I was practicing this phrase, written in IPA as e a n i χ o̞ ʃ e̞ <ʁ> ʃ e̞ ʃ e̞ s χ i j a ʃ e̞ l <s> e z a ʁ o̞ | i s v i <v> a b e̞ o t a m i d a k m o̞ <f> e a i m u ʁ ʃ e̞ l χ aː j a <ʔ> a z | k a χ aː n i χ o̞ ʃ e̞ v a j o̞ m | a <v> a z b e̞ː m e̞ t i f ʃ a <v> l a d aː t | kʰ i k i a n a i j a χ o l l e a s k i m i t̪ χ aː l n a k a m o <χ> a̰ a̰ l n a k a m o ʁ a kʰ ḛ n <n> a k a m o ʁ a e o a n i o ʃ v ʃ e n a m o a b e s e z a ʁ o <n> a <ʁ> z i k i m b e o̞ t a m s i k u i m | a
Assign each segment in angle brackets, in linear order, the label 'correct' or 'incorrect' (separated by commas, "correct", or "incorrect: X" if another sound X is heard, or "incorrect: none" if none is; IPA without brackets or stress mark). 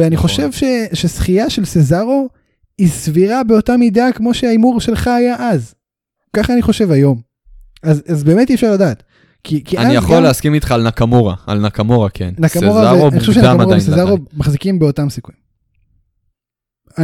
incorrect: v, correct, incorrect: ʁ, incorrect: ʃ, correct, incorrect: z, incorrect: ʁ, incorrect: ʁ, correct, incorrect: m, incorrect: χ